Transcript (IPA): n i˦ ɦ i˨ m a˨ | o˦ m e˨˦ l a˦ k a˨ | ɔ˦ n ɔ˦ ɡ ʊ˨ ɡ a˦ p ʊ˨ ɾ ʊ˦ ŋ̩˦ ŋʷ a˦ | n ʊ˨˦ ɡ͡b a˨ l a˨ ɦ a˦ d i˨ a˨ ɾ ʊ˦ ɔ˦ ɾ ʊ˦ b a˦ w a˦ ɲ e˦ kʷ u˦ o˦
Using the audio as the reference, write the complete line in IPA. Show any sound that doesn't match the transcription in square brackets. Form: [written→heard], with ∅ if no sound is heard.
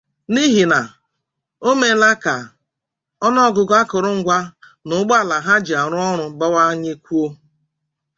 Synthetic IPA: n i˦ ɦ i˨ [m→n] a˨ | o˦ m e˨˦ l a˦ k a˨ | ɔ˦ n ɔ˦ ɡ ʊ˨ ɡ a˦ [p→k] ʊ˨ ɾ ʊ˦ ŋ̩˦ [ŋʷ→ɡʷ] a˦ | n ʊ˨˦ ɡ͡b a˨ l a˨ ɦ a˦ [d→d͡ʒ] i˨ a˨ ɾ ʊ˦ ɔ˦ ɾ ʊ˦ b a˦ w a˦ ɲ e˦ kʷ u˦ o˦